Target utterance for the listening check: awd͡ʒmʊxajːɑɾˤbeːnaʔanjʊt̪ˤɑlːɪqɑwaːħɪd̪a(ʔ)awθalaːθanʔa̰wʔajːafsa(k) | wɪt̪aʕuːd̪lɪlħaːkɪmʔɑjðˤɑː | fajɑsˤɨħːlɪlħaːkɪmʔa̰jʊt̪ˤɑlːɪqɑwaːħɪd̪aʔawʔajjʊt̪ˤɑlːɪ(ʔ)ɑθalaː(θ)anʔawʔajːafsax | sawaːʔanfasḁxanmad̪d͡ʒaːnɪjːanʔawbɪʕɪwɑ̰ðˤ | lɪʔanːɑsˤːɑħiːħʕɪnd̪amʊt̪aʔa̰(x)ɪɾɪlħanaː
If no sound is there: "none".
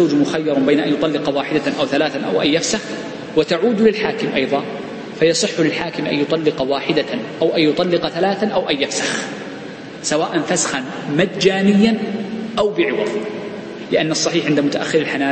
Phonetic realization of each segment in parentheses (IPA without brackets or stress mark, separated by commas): ʔ, x, q, θ, xː